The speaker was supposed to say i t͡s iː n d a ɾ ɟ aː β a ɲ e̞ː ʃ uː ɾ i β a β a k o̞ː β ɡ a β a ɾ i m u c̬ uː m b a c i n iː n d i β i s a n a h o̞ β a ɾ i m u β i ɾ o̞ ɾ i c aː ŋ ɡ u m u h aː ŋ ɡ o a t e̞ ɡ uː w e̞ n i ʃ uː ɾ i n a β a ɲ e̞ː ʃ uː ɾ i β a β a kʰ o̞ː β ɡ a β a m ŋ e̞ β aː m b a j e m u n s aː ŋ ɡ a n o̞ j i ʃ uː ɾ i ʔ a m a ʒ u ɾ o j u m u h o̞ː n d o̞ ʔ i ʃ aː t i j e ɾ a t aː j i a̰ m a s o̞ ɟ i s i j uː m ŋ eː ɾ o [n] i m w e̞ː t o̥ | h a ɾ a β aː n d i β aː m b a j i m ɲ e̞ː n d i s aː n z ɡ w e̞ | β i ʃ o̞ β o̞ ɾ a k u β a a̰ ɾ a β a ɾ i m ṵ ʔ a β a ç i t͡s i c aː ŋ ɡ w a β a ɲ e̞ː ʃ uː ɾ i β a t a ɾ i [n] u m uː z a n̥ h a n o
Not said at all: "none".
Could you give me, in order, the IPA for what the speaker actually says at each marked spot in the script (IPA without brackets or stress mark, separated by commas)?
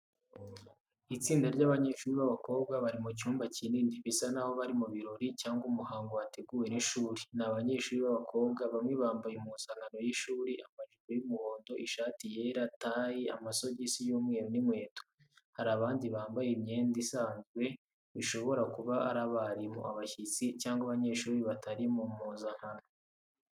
n, m